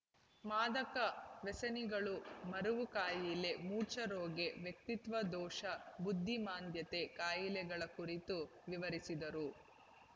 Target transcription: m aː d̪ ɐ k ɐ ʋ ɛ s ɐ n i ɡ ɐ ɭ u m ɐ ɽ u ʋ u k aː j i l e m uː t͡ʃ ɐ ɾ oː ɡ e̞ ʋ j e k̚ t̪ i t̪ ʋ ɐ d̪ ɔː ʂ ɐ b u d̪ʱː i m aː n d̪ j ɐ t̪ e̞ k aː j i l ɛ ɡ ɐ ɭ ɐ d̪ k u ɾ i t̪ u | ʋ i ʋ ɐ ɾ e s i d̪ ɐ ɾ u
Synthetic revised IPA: m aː d̪ ɐ k ɐ ʋ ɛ s ɐ n i ɡ ɐ ɭ u m ɐ ɾ u ʋ u k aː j i l e m uː t͡ʃ ɐ ɾ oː ɡ e̞ ʋ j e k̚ t̪ i t̪ ʋ ɐ d̪ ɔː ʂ ɐ b u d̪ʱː i m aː n d̪ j ɐ t̪ e̞ k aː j i l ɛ ɡ ɐ ɭ ɐ k u ɾ i t̪ u | ʋ i ʋ ɐ ɾ i s i d̪ ɐ ɾ u